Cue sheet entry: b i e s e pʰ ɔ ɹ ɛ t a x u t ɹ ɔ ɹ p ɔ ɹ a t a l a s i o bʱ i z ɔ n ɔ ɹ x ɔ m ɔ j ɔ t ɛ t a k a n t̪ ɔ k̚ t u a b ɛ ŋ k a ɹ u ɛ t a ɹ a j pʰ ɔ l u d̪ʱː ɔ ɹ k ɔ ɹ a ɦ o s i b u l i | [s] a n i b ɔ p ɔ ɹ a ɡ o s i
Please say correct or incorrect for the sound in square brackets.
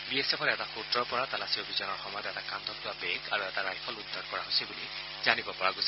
incorrect